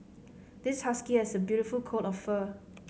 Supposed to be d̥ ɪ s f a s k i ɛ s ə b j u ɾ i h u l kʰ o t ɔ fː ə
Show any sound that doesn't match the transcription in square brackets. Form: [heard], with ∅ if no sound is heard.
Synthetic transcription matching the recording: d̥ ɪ s [h] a s k i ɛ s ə b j u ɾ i [f] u l kʰ o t ɔ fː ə